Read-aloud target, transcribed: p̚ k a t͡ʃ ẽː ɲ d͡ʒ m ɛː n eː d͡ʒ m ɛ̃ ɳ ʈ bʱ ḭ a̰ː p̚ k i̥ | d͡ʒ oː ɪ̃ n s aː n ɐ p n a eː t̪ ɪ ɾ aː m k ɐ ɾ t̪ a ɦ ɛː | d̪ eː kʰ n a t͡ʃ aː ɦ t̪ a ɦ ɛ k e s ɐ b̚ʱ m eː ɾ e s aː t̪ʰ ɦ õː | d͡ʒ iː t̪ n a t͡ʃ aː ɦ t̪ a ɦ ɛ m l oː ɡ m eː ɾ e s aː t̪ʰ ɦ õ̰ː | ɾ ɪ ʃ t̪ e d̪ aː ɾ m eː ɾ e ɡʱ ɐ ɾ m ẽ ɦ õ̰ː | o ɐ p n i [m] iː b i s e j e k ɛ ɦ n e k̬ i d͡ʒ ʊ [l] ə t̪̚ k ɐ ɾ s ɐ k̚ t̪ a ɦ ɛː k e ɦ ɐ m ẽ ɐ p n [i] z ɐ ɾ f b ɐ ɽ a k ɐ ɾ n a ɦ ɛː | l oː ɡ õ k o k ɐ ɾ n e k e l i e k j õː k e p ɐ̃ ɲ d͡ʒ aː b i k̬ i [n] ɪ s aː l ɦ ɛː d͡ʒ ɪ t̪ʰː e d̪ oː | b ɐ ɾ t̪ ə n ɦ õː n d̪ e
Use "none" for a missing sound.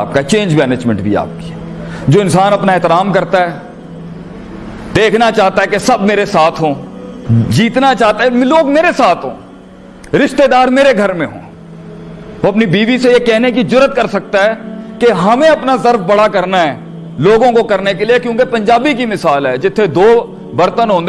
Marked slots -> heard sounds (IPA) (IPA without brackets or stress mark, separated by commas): b, ɾ, a, m